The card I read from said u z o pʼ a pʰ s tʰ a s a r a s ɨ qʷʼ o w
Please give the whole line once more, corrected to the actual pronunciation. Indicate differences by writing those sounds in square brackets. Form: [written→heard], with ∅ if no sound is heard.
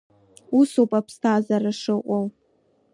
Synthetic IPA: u [z→s] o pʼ a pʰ s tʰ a [s→z] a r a [s→ʂ] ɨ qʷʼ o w